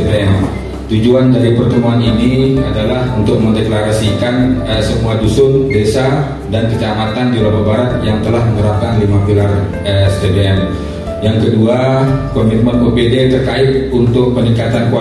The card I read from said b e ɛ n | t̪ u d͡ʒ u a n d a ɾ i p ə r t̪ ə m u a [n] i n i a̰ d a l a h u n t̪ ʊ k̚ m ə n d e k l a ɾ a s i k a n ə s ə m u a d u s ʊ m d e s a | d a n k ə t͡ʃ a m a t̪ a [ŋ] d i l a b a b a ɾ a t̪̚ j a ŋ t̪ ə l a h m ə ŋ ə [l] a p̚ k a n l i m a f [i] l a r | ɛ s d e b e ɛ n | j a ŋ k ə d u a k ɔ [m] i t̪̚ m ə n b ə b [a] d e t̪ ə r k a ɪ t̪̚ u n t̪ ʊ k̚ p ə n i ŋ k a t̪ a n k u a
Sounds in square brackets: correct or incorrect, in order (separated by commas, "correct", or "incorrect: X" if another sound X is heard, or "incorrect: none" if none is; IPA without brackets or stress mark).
correct, incorrect: n, incorrect: ɾ, correct, correct, incorrect: e